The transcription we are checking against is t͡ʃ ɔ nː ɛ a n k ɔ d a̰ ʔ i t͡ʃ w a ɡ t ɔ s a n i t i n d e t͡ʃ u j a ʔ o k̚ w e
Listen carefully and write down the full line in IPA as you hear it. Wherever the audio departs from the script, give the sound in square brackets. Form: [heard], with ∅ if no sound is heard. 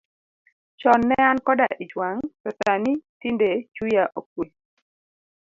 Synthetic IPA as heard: t͡ʃ ɔ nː ɛ a n k ɔ d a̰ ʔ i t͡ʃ w a [ŋ] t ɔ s a n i t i n d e t͡ʃ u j a ʔ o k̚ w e